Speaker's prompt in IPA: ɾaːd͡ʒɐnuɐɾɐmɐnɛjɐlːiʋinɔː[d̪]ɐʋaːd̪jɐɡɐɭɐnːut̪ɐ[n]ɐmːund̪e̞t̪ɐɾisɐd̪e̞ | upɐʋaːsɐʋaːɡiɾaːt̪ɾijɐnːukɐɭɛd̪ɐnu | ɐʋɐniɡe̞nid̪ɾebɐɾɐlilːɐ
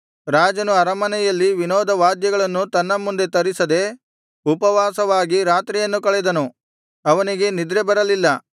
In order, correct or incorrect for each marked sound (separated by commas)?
correct, incorrect